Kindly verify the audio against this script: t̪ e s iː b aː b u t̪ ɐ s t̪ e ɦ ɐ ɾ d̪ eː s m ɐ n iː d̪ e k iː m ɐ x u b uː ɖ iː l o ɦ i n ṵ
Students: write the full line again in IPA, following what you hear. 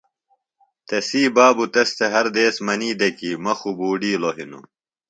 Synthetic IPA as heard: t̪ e s iː b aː b u t̪ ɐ s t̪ e ɦ ɐ ɾ d̪ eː s m ɐ n iː d̪ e k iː m ɐ x u b uː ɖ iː l o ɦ i n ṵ